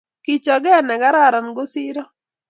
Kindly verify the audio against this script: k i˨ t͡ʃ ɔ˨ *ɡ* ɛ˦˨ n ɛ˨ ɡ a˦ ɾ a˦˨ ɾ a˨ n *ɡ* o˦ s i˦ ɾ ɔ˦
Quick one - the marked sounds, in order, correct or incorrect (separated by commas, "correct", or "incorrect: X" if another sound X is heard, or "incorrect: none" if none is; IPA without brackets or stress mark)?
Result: correct, correct